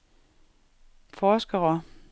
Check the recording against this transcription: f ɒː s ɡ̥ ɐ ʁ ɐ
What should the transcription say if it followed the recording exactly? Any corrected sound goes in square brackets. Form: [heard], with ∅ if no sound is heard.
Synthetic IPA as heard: f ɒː s ɡ̥ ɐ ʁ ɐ